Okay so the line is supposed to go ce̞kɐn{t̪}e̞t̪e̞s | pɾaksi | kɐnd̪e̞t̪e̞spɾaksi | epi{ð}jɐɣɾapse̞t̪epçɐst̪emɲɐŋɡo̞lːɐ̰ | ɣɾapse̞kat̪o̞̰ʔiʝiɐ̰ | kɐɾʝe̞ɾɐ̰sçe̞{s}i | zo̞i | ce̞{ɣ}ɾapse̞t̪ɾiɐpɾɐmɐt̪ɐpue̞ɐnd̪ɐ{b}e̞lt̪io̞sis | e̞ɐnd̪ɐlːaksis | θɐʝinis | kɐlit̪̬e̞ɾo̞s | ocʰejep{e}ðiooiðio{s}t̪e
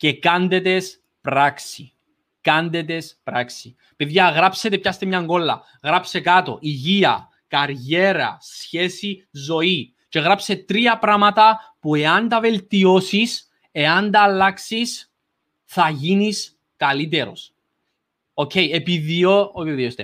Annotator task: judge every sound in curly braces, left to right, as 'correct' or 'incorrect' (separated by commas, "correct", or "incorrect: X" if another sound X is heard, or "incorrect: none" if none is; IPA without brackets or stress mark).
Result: incorrect: d̪, correct, correct, correct, incorrect: v, incorrect: i, correct